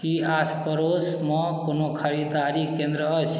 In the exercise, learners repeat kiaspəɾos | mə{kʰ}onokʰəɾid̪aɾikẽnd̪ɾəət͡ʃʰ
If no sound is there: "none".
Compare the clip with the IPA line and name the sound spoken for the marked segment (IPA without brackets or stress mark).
k